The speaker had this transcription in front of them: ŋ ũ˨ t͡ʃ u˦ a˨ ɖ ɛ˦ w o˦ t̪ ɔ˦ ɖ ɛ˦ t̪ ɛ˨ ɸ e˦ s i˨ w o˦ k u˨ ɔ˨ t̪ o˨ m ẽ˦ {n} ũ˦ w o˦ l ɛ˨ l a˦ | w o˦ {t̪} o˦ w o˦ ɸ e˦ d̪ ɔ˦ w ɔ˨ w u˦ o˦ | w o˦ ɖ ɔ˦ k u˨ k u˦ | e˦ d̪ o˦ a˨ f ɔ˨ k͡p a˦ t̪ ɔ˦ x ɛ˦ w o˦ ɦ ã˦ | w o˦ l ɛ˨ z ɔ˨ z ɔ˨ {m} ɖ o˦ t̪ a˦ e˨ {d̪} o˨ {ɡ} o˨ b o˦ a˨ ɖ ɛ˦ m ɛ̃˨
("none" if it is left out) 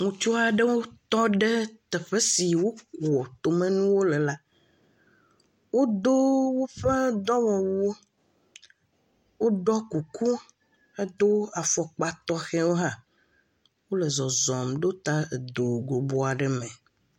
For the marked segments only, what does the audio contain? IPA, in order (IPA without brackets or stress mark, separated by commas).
n, d̪, m, d̪, ɡ